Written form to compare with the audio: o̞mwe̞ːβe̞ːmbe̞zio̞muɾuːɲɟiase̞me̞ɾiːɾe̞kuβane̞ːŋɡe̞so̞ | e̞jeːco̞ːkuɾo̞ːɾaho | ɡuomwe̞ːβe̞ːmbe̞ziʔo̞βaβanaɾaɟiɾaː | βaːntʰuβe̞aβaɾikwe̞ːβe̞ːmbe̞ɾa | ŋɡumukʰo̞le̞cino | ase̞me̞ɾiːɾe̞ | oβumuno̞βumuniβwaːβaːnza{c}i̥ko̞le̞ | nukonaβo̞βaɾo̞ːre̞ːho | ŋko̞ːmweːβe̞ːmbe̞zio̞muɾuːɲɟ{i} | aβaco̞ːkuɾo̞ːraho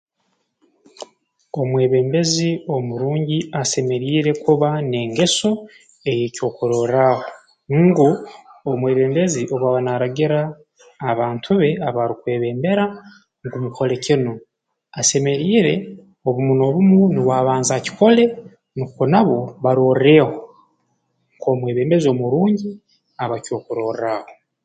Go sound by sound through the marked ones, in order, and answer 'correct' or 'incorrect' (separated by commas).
correct, correct